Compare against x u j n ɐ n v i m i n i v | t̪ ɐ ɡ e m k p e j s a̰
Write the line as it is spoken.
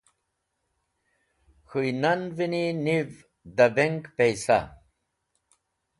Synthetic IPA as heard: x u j n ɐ n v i n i n i v | d̪ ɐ b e ŋ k p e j s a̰

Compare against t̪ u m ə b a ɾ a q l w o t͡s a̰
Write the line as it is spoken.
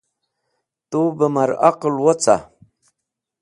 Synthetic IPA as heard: t̪ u b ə m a ɾ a q l w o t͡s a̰

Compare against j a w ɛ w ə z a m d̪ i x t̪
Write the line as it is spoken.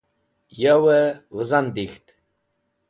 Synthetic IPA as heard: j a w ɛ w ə z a n d̪ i x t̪

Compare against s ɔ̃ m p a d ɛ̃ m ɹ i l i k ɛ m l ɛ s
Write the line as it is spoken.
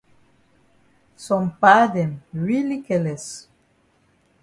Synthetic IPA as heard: s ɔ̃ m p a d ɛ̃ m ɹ i l i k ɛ l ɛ s

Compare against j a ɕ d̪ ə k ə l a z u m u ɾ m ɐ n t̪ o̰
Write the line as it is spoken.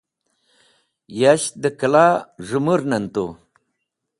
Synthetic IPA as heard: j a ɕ d̪ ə k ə l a ʐ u m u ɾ n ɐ n t̪ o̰

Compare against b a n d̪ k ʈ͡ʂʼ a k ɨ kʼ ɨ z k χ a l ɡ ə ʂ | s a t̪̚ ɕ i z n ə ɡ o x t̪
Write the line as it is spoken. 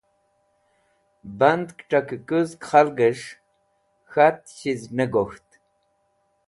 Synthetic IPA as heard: b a n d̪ k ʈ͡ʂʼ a k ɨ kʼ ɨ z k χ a l ɡ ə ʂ | x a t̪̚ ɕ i z n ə ɡ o x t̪

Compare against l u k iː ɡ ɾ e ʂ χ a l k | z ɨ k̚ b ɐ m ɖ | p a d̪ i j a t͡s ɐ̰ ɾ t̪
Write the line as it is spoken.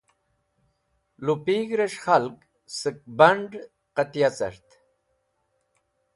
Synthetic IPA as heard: l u p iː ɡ ɾ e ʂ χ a l k | s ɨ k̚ b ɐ ɳ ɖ | q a t̪ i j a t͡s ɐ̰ ɾ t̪

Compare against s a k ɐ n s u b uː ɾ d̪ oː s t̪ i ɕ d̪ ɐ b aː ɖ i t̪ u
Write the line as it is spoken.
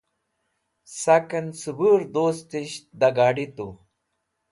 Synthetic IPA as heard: s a k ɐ n s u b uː ɾ d̪ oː s t̪ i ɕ d̪ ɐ ɡ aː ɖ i t̪ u

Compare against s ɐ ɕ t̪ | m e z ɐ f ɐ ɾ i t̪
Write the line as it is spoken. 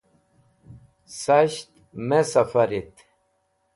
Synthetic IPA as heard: s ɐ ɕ t̪ | m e s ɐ f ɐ ɾ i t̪

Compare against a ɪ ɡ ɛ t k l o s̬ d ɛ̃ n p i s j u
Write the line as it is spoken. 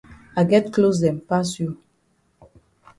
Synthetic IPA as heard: a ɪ ɡ ɛ t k l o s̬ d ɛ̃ m p a s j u

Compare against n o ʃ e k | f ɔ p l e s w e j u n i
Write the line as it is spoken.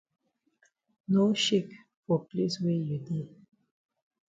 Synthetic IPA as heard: n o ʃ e k | f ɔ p l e s w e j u d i

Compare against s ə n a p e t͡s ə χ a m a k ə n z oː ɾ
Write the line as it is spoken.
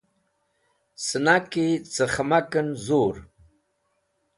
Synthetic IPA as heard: s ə n a k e t͡s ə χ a m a k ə n z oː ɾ

